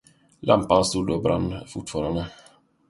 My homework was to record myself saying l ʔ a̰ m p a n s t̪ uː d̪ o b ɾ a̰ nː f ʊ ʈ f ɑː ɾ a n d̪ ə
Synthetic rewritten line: l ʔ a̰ m p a n s t̪ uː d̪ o b ɾ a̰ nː f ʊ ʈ f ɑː ɾ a n d̪ ə